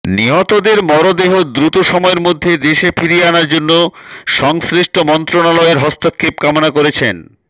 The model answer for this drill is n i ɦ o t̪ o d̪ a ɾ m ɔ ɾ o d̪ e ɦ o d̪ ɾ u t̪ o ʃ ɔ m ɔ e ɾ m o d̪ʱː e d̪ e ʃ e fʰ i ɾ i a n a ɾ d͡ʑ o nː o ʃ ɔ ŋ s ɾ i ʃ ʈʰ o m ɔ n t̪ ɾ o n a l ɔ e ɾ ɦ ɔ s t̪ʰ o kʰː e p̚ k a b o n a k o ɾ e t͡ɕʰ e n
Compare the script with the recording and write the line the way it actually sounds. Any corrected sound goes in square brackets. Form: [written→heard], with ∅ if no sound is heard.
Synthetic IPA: n i ɦ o t̪ o d̪ [a→e] ɾ m ɔ ɾ o d̪ e ɦ o d̪ ɾ u t̪ o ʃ ɔ m ɔ e ɾ m o d̪ʱː e d̪ e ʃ e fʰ i ɾ i a n a ɾ d͡ʑ o nː o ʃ ɔ ŋ s ɾ i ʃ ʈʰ o m ɔ n t̪ ɾ o n a l ɔ e ɾ ɦ ɔ s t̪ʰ o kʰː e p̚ k a [b→m] o n a k o ɾ e t͡ɕʰ e n